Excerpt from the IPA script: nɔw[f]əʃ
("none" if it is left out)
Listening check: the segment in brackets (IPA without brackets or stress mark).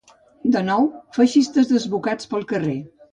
f